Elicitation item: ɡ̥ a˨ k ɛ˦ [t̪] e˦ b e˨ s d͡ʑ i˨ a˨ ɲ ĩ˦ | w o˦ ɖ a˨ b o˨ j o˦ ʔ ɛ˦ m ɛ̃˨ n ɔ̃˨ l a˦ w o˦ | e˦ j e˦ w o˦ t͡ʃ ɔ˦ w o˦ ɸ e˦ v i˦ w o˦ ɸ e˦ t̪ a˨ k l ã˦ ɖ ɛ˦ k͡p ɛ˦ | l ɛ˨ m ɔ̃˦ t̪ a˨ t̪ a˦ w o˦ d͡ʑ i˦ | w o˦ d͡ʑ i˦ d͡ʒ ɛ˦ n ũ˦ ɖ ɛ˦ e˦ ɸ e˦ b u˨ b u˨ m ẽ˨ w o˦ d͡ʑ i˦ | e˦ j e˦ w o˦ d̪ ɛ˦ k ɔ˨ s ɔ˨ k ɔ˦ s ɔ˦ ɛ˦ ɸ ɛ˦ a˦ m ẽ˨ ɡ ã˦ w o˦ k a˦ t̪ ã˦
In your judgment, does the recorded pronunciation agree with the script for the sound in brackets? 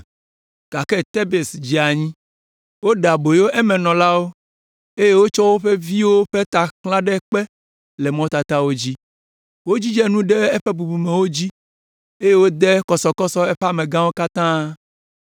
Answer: yes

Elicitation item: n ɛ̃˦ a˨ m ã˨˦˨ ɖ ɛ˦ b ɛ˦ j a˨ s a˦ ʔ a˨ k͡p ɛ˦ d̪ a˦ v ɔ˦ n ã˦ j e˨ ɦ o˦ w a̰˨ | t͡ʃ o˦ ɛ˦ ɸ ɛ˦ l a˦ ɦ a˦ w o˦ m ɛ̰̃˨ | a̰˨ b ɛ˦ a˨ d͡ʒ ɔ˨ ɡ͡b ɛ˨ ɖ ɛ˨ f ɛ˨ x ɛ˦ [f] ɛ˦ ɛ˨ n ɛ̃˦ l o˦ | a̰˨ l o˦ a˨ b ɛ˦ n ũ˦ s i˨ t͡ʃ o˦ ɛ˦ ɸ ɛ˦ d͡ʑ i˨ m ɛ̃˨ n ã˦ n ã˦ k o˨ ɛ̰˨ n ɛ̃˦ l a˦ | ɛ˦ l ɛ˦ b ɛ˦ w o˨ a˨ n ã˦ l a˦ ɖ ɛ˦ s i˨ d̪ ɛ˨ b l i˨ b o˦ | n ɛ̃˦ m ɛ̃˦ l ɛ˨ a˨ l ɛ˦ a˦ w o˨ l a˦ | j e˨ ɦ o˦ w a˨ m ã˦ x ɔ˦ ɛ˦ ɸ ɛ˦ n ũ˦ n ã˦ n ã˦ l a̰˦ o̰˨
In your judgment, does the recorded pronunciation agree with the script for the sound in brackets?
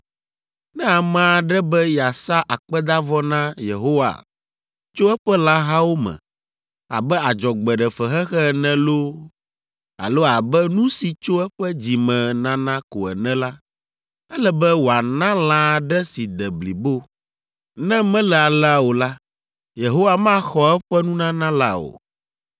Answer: no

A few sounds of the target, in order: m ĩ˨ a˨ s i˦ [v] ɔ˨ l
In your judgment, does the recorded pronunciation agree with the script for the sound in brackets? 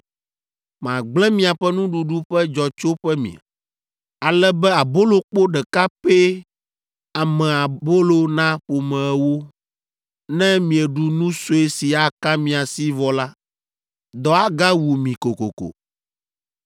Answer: yes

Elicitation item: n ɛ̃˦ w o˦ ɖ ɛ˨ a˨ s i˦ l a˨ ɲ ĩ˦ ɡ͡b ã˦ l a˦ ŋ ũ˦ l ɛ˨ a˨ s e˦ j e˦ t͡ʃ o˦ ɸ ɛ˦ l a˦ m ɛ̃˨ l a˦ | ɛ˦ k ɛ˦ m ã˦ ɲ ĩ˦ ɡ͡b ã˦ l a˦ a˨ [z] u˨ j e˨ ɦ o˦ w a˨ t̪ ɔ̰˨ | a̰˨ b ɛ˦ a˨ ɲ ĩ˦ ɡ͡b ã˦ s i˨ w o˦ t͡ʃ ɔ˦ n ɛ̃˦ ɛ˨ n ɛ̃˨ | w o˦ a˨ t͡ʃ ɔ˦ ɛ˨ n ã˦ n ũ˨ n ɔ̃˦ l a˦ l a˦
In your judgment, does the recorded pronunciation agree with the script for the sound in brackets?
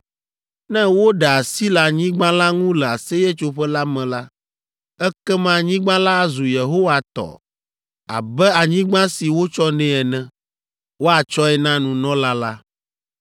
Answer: yes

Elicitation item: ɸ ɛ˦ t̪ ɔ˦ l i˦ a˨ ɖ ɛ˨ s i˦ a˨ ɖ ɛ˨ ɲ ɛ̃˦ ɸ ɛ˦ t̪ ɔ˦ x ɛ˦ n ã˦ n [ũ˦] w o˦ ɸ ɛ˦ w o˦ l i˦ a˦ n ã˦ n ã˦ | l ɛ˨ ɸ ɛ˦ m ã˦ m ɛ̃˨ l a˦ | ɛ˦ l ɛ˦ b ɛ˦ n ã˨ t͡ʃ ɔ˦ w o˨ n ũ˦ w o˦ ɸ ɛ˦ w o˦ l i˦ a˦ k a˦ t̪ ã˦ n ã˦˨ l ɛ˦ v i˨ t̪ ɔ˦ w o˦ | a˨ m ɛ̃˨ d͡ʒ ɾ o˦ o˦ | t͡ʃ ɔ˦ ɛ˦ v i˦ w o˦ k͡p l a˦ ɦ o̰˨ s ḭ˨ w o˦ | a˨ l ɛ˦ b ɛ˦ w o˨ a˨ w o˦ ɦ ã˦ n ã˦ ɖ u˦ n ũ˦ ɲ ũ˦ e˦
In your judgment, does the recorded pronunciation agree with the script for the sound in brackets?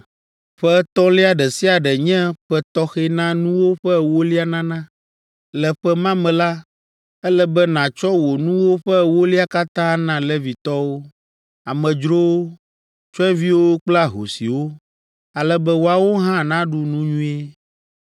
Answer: yes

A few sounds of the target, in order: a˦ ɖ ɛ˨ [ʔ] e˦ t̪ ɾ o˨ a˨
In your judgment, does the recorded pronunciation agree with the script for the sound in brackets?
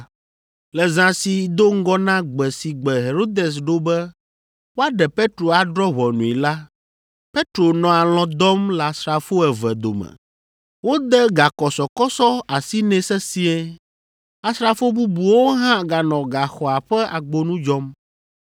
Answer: no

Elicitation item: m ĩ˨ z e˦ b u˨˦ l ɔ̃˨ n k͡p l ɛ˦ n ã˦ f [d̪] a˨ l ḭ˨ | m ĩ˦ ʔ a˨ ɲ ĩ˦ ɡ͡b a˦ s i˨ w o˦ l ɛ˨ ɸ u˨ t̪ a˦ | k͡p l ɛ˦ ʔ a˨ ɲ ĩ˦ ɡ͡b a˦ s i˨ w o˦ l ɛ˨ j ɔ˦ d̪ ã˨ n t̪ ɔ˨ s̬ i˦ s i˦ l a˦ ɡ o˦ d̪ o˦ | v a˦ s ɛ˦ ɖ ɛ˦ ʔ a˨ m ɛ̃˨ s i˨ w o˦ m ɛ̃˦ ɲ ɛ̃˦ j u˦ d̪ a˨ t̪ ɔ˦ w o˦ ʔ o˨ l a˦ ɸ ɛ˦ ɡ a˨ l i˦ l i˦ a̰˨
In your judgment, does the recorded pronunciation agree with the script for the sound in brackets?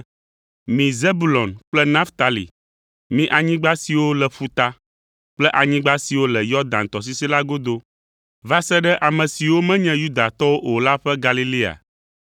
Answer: no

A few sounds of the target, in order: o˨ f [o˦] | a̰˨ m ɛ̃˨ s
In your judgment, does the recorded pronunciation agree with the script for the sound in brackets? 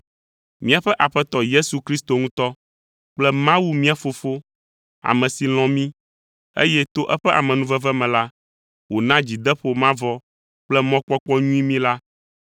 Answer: yes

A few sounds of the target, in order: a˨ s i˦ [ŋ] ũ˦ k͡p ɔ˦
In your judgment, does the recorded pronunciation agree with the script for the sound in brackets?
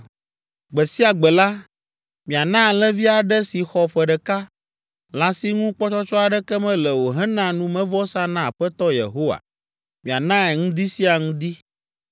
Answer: yes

